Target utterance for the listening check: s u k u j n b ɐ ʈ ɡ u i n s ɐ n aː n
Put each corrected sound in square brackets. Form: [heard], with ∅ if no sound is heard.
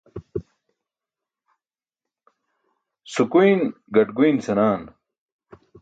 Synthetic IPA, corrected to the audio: s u k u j n [ɡ] ɐ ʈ ɡ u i n s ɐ n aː n